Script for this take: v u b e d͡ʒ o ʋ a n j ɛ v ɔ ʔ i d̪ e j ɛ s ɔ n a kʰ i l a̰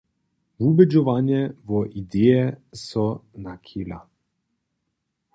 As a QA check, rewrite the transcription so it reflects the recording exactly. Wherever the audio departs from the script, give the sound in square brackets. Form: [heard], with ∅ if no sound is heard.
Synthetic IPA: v u b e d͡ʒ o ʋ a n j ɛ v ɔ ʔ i d̪ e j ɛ s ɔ n a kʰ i l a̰